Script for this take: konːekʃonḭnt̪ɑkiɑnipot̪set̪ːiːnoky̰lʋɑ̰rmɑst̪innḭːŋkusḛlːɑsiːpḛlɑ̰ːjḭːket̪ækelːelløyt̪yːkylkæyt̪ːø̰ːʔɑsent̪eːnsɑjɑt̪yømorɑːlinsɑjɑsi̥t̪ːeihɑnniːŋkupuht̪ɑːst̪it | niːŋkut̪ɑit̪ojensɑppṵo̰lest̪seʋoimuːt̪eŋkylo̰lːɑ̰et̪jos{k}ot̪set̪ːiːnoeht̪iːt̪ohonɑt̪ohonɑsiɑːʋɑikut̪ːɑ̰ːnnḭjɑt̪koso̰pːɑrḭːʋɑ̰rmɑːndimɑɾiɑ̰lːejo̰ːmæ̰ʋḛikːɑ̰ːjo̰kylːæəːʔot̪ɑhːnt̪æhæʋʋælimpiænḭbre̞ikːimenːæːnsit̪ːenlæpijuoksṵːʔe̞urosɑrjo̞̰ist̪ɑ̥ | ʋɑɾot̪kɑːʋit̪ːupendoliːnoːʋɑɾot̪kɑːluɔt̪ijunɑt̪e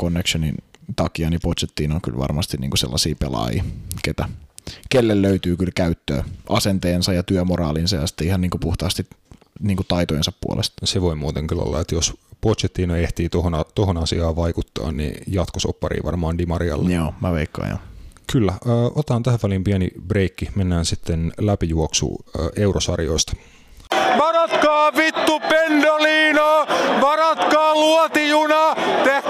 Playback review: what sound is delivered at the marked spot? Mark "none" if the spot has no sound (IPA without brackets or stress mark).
p